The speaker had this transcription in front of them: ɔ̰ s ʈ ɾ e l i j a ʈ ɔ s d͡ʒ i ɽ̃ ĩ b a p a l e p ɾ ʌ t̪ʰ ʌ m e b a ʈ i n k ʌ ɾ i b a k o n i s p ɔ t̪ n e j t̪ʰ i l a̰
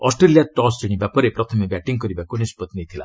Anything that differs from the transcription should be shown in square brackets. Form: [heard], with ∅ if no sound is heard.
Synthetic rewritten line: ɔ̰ s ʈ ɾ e l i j a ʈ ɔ s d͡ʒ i ɽ̃ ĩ b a p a [ɾ] e p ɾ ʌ t̪ʰ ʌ m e b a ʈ i [ŋ] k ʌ ɾ i b a k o n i s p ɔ t̪ n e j t̪ʰ i l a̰